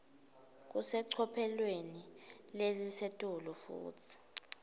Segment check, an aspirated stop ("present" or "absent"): present